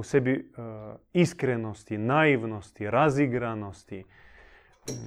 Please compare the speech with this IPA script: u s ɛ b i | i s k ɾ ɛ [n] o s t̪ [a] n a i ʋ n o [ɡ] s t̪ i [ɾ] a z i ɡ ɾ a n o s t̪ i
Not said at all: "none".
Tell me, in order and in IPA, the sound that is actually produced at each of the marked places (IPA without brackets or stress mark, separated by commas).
n, i, none, ɾ